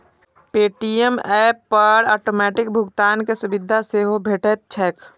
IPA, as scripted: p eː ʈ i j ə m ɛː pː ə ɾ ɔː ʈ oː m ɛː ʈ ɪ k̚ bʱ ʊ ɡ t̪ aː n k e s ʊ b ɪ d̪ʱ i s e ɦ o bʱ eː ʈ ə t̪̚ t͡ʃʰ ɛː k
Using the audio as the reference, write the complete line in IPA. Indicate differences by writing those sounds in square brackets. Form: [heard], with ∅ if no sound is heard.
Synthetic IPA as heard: p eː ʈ i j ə m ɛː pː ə ɾ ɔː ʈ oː m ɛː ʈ ɪ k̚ bʱ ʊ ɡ t̪ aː n k e s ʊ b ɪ d̪ʱ [a] s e ɦ o bʱ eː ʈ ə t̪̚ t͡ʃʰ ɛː k